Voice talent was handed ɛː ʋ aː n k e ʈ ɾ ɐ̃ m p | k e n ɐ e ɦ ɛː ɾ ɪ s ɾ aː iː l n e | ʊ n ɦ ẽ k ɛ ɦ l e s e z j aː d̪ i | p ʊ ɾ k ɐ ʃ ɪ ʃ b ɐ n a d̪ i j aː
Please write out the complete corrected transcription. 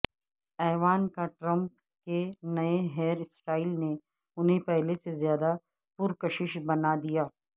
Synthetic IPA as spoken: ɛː ʋ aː n k a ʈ ɾ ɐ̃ m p | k e n ɐ e ɦ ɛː ɾ ɪ s ɾ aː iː l n e | ʊ n ɦ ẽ p ɛ ɦ l e s e z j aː d̪ a | p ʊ ɾ k ɐ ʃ ɪ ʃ b ɐ n a d̪ i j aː